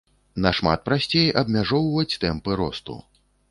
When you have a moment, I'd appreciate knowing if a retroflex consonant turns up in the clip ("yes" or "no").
yes